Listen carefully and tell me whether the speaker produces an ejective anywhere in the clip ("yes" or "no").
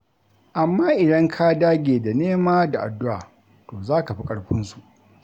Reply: yes